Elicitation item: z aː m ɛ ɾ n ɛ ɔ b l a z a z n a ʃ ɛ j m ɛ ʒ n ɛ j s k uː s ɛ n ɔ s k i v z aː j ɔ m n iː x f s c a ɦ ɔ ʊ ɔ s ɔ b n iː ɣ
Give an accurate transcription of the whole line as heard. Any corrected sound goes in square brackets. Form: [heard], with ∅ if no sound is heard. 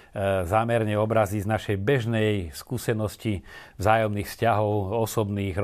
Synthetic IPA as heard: z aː m ɛ ɾ [ɲ] ɛ ɔ b [ɾ] a z [i] z n a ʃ ɛ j [b] ɛ ʒ n ɛ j s k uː s ɛ n ɔ s [c] i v z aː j ɔ m n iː x f s c a ɦ ɔ ʊ ɔ s ɔ b n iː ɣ